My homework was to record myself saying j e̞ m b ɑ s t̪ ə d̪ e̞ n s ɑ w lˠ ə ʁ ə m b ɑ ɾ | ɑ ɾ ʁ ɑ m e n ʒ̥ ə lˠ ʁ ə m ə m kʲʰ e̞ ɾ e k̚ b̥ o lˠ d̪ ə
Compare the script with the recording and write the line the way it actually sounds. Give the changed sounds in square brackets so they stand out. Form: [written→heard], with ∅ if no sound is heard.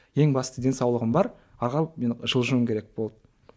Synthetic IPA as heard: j e̞ [m→ŋ] b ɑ s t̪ ə d̪ e̞ n s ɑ w lˠ ə ʁ ə m b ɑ ɾ | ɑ ɾ ʁ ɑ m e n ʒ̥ ə lˠ [ʁ→ʒ] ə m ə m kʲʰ e̞ ɾ e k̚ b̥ o lˠ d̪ ə